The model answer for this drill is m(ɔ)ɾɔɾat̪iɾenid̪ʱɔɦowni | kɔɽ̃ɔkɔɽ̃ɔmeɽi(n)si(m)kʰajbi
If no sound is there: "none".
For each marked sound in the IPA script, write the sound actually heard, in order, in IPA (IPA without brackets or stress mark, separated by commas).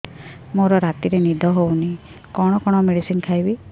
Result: o, none, n